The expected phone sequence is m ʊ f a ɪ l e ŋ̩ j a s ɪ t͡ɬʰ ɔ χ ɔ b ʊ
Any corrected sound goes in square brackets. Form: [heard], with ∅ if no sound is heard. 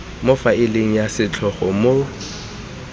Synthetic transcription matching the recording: m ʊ f a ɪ l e ŋ̩ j a s ɪ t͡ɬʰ ɔ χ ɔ [m] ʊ